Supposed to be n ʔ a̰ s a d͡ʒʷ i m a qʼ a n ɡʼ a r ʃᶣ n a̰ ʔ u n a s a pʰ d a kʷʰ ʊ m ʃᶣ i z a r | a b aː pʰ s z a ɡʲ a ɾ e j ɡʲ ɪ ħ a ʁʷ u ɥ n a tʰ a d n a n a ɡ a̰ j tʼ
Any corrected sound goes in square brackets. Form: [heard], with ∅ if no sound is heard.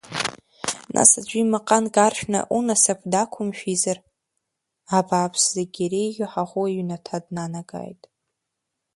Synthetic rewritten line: n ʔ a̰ s a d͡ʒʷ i m a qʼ a n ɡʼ a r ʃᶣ n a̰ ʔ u n a s a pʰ d a kʷʰ ʊ m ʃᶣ i z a r | a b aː pʰ s z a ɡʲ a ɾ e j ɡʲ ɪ ħ a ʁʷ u ɥ n a tʰ a d n a n a ɡ a̰ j tʼ